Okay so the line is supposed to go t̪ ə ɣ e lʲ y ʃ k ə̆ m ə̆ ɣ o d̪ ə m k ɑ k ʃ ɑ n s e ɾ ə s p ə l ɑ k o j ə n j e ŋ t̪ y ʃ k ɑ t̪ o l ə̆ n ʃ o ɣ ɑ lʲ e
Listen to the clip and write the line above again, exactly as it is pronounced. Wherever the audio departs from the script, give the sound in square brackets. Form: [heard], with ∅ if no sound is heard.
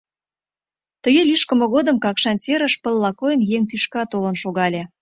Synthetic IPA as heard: t̪ ə ɣ e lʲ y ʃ k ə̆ m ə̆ ɣ o d̪ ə m k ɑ k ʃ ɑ n s e ɾ ə [ʃ] p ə [lː] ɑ k o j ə n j e ŋ t̪ y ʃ k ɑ t̪ o l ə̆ n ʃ o ɣ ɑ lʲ e